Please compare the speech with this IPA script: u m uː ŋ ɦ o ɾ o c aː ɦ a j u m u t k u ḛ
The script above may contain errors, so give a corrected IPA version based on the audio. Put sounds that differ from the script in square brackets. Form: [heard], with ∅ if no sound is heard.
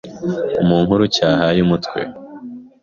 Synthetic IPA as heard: u m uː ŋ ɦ [u] ɾ [u] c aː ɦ a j u m u t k [w] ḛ